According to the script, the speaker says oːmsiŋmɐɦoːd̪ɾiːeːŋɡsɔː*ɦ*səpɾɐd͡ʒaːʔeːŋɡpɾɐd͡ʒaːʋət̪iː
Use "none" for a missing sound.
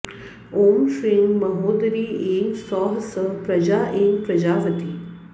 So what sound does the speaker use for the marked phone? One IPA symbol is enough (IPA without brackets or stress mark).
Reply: ɦ